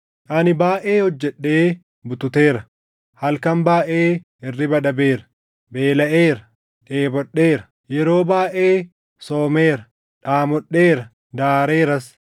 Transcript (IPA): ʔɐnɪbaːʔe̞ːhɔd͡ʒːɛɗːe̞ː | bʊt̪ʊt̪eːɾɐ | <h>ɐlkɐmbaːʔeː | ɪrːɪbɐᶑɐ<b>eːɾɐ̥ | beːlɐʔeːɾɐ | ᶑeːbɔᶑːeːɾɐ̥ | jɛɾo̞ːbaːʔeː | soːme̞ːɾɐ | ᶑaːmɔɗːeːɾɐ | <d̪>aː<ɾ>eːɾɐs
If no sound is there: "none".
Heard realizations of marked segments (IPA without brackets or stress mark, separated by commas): h, b, d̪, ɾ